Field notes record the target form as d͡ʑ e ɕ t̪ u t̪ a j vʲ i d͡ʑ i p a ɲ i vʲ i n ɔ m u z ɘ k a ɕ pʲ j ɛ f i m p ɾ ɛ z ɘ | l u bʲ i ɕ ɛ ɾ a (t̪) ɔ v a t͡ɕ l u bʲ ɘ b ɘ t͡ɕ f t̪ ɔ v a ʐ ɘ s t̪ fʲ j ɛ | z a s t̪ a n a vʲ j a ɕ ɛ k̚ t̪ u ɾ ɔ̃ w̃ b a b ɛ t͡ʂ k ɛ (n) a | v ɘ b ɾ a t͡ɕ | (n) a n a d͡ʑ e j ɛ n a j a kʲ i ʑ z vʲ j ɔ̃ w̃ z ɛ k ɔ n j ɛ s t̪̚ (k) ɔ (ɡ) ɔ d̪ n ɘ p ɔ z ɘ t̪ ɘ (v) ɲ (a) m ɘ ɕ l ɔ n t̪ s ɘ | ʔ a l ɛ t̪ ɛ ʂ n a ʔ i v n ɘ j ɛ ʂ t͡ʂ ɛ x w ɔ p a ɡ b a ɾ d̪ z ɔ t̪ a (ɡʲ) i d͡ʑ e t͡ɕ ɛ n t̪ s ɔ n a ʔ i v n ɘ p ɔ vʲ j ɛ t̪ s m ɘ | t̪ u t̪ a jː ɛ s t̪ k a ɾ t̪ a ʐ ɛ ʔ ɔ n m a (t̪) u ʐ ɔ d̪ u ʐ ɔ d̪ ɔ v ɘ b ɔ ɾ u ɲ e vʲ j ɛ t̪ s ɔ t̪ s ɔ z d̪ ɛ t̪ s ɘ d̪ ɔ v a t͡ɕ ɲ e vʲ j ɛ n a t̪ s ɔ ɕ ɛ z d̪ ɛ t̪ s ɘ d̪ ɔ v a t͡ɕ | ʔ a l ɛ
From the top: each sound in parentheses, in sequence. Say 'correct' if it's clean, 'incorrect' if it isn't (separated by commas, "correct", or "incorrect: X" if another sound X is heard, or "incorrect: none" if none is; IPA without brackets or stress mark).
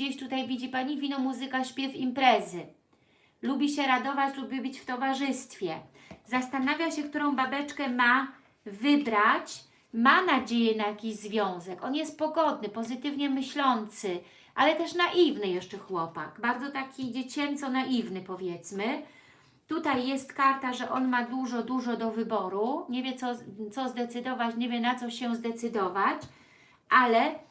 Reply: incorrect: d̪, incorrect: m, incorrect: m, incorrect: p, correct, correct, incorrect: ɛ, incorrect: kʲ, incorrect: d̪